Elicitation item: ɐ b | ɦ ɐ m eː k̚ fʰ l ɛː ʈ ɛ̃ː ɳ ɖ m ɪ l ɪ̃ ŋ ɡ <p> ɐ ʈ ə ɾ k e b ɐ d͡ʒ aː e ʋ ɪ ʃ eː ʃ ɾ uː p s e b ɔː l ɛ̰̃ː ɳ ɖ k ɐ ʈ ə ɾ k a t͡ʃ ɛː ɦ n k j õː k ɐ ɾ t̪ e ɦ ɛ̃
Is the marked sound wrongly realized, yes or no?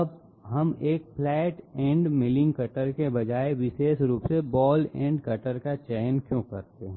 yes